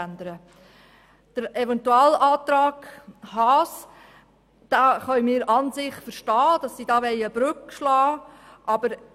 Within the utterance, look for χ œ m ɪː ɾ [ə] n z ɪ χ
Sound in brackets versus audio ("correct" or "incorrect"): incorrect